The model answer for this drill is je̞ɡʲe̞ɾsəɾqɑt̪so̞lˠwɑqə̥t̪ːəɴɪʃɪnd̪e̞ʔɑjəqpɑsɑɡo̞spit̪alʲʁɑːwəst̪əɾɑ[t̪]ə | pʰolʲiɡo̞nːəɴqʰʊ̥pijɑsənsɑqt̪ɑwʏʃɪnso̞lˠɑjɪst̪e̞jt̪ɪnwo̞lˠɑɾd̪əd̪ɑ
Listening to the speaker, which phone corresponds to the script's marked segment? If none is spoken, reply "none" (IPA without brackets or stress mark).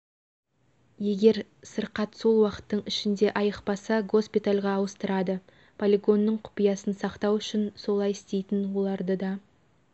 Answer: d̪